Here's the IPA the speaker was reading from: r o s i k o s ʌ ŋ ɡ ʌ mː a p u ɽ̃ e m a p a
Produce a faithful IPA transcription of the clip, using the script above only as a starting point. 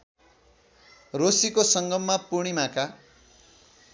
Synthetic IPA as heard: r o s i k o s ʌ ŋ ɡ ʌ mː a p u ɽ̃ i m a k a